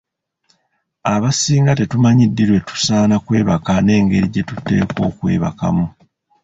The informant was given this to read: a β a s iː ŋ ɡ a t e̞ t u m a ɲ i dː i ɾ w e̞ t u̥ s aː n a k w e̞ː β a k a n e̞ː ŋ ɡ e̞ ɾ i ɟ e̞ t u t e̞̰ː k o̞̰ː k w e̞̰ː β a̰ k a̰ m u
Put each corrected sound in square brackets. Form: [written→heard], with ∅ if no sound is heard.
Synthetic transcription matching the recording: a β a s iː ŋ ɡ a t e̞ t u m a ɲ i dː i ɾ w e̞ t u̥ s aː n a k w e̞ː β a k a n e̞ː ŋ ɡ e̞ ɾ i ɟ e̞ t u t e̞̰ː k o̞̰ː k w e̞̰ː β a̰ k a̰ m u